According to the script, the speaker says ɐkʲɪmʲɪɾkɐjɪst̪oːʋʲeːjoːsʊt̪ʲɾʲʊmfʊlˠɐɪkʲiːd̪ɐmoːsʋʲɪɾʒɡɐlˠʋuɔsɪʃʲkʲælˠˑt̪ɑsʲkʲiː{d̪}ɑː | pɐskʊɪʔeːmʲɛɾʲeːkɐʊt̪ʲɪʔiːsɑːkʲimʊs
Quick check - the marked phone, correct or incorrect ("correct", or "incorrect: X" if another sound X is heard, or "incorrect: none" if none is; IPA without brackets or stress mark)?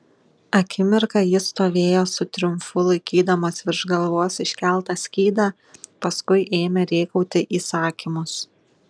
correct